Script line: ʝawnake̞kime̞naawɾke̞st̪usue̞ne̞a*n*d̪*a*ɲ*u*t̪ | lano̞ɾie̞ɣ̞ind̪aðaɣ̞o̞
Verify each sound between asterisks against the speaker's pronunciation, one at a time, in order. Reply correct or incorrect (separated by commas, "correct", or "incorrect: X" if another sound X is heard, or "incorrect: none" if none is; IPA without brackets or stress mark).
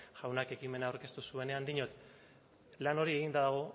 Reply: correct, incorrect: i, incorrect: o